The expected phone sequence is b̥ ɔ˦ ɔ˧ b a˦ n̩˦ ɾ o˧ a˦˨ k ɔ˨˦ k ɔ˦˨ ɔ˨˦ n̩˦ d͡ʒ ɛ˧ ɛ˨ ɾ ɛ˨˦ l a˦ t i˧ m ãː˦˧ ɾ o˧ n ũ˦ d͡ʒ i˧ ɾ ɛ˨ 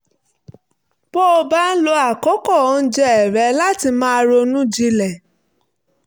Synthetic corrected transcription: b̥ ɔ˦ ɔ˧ b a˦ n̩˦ l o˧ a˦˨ k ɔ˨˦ k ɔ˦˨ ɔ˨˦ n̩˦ d͡ʒ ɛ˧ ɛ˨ ɾ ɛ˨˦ l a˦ t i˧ m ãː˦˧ ɾ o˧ n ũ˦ d͡ʒ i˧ l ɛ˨